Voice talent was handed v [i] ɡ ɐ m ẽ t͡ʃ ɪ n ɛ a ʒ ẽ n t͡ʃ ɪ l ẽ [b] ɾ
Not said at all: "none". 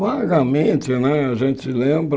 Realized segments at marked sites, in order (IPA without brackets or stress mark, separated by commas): a, b